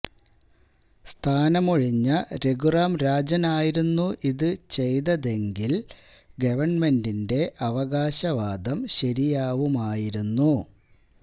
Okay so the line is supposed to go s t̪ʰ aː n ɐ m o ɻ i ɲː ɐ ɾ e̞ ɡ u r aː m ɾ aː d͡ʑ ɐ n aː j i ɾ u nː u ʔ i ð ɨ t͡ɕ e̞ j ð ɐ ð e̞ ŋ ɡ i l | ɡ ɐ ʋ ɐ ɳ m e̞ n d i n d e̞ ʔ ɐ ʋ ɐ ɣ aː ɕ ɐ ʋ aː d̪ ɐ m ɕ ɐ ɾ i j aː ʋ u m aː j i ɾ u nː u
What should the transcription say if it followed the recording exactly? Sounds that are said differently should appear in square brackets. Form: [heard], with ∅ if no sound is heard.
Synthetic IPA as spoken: s t̪ʰ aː n ɐ m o ɻ i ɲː ɐ ɾ e̞ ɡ u r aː m ɾ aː d͡ʑ ɐ n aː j i ɾ u nː u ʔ i ð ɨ t͡ɕ e̞ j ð ɐ ð e̞ ŋ ɡ i l | ɡ ɐ ʋ ɐ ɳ m e̞ n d i n d e̞ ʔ ɐ ʋ ɐ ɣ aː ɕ ɐ ʋ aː d̪ ɐ m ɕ ɐ ɾ i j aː ʋ u m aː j i ɾ u nː u